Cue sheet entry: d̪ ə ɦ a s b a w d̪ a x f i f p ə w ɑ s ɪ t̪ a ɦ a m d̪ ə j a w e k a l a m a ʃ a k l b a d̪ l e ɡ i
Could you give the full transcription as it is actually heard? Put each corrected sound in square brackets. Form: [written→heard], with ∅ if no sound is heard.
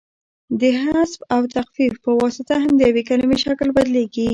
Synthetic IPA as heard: d̪ ə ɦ a s b a w [d̪→t̪] a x f i f p ə w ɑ s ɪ t̪ a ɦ a m d̪ ə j a w e k a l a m [a→i] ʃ a k l b a d̪ l e ɡ i